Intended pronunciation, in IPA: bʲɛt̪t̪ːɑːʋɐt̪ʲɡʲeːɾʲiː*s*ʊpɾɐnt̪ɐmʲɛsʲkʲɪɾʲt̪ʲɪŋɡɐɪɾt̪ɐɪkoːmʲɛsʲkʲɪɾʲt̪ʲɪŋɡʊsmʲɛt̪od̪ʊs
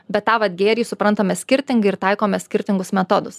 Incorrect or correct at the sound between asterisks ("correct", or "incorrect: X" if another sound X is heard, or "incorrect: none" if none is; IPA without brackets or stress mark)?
correct